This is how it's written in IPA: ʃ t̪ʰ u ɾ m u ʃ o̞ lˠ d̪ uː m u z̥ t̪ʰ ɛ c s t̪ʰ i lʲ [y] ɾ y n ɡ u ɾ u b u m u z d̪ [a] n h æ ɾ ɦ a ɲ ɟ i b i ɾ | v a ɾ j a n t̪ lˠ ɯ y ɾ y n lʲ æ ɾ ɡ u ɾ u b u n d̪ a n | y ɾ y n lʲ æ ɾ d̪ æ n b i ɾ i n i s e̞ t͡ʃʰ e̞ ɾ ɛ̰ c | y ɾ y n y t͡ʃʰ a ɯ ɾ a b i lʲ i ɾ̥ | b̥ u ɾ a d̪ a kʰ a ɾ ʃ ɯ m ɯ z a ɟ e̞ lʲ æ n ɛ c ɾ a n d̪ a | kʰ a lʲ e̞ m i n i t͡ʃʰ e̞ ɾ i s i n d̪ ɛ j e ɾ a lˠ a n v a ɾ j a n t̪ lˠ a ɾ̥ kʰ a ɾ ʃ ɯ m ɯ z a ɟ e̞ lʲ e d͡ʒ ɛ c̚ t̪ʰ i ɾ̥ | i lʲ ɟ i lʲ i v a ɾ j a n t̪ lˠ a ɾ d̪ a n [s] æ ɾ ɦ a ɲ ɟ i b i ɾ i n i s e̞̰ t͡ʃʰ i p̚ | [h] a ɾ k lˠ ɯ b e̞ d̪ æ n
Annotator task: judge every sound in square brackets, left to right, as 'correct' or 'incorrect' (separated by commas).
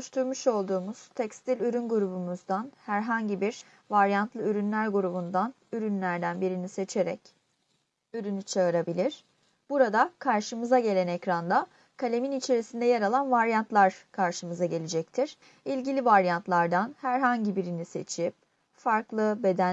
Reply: correct, correct, incorrect, incorrect